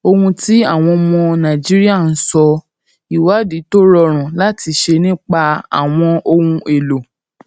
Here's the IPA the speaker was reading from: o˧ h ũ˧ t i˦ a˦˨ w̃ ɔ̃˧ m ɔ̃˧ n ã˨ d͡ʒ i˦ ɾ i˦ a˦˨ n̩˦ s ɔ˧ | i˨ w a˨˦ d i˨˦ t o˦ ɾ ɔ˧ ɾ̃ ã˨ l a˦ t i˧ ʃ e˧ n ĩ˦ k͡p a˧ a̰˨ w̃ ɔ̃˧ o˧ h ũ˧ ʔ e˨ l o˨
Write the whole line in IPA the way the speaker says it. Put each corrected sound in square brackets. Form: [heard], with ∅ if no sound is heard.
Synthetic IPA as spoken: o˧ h ũ˧ t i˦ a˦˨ w̃ ɔ̃˧ m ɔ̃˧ n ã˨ d͡ʒ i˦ ɾ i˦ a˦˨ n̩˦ s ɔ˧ | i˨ w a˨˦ d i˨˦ t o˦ ɾ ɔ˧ ɾ̃ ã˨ l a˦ t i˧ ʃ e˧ n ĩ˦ k͡p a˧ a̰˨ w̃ ɔ̃˧ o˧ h ũ˧ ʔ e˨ l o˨